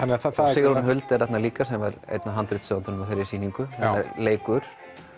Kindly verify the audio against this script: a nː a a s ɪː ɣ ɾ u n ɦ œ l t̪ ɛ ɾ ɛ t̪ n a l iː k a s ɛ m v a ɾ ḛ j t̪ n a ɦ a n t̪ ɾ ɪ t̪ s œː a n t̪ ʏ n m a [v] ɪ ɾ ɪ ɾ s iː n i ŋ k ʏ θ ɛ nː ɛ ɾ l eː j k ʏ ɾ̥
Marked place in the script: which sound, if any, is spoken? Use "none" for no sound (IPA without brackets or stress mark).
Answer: f